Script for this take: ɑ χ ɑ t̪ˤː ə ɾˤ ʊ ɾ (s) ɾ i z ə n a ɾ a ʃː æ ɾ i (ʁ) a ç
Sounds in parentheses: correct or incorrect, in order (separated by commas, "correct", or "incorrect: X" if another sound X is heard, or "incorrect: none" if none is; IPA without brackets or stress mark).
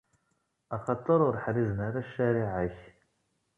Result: incorrect: ħ, incorrect: ʕ